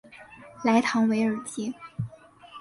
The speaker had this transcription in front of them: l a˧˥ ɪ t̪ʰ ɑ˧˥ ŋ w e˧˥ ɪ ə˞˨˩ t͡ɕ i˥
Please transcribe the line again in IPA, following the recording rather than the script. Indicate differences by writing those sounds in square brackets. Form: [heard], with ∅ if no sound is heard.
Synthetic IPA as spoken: l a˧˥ ɪ t̪ʰ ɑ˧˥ ŋ w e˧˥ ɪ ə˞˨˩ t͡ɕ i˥